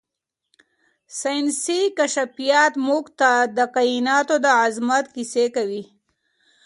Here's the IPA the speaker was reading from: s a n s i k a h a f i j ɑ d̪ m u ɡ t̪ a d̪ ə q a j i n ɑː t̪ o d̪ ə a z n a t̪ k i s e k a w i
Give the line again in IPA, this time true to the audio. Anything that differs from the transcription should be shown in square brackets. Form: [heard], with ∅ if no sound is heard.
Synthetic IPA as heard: s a n s i k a [ʃ] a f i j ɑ [t̪] m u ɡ t̪ a d̪ ə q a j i n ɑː t̪ o d̪ ə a z [m] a t̪ k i s e k a w i

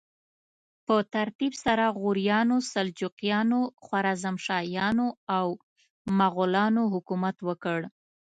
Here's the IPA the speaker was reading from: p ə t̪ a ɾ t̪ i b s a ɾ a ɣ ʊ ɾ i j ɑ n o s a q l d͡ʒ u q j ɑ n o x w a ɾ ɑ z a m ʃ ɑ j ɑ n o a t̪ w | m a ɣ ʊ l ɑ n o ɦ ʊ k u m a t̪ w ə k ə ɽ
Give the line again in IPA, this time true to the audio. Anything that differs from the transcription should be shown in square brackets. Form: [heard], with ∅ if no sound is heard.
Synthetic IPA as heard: p ə t̪ a ɾ t̪ i b s a ɾ a ɣ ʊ ɾ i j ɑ n o s a [∅] l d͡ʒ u q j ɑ n o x w a ɾ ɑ z a m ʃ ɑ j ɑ n o a [∅] w | m a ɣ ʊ l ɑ n o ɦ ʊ k u m a t̪ w ə k ə ɽ

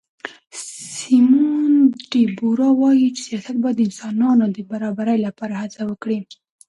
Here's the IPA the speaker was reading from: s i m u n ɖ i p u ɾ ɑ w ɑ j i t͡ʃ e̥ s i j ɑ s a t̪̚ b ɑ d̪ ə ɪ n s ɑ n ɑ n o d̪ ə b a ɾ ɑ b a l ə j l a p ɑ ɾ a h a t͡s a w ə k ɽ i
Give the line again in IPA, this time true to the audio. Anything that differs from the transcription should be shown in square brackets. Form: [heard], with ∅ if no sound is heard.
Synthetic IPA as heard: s i m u n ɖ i [b] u ɾ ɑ w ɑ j i t͡ʃ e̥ s i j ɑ s a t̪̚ b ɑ d̪ ə ɪ n s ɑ n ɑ n o d̪ ə b a ɾ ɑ b a [ɾ] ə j l a p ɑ ɾ a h a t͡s a w ə k ɽ i

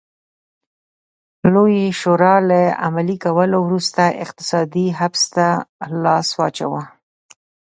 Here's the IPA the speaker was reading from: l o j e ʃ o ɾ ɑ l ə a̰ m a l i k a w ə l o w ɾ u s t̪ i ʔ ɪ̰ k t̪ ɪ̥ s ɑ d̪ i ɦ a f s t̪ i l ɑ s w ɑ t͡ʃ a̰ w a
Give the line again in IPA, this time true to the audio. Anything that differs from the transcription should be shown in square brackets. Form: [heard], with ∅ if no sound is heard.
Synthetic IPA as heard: l o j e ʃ o ɾ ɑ l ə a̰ m a l i k a w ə l o w ɾ u s t̪ [a] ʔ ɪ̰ [q] t̪ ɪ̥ s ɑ d̪ i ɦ a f s t̪ [a] l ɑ s w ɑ t͡ʃ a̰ w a

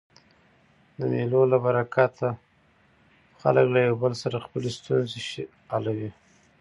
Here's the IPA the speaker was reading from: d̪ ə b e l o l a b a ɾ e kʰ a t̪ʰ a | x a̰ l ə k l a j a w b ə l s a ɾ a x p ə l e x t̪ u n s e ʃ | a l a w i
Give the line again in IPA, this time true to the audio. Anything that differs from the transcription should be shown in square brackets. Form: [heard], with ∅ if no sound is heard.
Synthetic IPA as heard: d̪ ə [m] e l o l a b a ɾ [a] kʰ a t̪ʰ a | x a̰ l ə k l a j a w b ə l s a ɾ a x p ə l e [s] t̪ u n [z] e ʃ | a l a w i

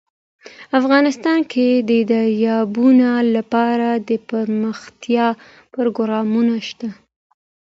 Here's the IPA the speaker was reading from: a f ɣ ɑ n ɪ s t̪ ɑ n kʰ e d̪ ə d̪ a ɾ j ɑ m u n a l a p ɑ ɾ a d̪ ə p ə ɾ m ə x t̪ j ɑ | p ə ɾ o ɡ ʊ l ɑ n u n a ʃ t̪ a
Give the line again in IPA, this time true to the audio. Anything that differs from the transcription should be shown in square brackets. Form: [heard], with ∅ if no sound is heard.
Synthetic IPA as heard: a f ɣ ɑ n ɪ s t̪ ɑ n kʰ e d̪ ə d̪ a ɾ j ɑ [b] u n a l a p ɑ ɾ a d̪ ə p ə ɾ m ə x t̪ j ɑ | p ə ɾ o ɡ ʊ [ɾ] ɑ [m] u n a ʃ t̪ a

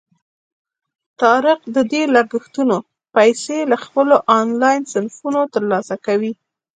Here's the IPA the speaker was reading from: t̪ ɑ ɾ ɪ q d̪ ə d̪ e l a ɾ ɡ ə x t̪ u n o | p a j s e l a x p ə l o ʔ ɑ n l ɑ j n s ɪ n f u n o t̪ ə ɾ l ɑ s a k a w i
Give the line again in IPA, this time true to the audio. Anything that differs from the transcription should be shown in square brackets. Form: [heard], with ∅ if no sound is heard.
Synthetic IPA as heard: t̪ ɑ ɾ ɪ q d̪ ə d̪ e l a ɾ ɡ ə x t̪ u n o | p a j s e l a x p ə l o ʔ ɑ n l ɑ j n s ɪ n f u n o t̪ ə ɾ l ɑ s a k a w i

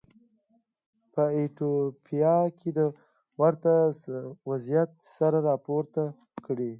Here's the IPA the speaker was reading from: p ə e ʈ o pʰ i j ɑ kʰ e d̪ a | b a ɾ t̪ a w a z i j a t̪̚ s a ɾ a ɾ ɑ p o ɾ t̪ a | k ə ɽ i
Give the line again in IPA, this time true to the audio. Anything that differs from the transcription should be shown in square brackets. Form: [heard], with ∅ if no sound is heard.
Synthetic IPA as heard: p ə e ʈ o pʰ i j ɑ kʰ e d̪ [ə] | [w] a ɾ t̪ a w a z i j a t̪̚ s a ɾ a ɾ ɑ p o ɾ t̪ a | k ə ɽ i

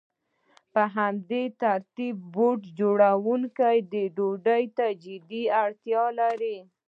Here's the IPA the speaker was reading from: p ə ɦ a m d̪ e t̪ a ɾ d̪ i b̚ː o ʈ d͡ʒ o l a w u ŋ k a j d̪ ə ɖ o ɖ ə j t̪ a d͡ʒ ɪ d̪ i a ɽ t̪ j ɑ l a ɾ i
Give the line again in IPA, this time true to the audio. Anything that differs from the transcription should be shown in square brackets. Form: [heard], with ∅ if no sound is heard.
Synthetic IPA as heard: p ə ɦ a m d̪ e t̪ a ɾ [t̪] i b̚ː o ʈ d͡ʒ o [ɽ] a w u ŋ k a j d̪ ə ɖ o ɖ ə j t̪ a d͡ʒ ɪ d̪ i a ɽ t̪ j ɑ l a ɾ i

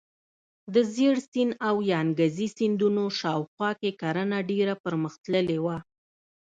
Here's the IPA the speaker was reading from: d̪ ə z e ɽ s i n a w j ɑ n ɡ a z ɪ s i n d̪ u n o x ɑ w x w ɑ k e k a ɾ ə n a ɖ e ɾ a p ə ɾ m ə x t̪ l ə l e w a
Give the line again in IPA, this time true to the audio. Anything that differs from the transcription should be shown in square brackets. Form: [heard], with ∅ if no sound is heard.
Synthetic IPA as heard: d̪ ə z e ɽ s i n a w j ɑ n ɡ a z [i] s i n d̪ u n o [ʃ] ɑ w x w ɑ k e k a ɾ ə n a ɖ e ɾ a p ə ɾ m ə x t̪ l ə l e w a

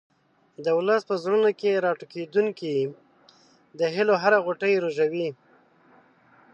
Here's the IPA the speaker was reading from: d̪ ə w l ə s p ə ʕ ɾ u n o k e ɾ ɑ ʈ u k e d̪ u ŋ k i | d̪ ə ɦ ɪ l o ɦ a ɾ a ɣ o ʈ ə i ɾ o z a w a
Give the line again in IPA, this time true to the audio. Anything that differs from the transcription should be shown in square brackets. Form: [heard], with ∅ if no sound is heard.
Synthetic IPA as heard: d̪ ə w l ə s p ə [z] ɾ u n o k e ɾ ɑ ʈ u k e d̪ u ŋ k i | d̪ ə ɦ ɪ l o ɦ a ɾ a ɣ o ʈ ə [j] ɾ o [ʒ] a w [i]

